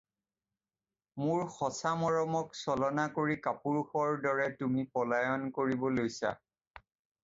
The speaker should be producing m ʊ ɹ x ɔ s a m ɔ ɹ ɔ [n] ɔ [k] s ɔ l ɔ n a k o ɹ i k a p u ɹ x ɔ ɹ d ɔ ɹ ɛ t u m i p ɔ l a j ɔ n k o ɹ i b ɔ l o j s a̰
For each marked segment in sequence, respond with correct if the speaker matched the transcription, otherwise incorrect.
incorrect: m, correct

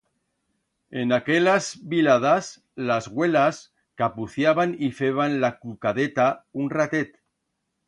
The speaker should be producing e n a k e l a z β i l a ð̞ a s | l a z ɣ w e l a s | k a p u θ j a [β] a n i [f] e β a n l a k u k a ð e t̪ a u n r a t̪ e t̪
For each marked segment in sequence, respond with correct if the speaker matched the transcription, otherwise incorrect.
correct, correct

